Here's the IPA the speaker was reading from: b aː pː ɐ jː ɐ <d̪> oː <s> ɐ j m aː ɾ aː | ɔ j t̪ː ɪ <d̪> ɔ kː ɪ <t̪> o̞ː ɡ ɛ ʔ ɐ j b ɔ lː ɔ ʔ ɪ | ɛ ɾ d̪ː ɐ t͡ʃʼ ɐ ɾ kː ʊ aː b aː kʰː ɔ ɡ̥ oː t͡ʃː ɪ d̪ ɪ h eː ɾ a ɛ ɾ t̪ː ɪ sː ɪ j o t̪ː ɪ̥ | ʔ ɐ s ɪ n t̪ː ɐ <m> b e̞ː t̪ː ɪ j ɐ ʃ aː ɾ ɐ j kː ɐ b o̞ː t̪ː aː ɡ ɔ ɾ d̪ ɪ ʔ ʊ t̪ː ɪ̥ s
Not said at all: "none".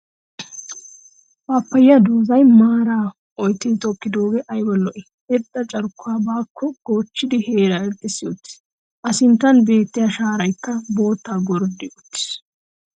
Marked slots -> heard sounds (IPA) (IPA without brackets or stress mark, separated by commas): d̪, z, t̪, d̪, n